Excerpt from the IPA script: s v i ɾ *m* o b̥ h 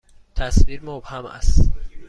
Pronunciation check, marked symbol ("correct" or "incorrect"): correct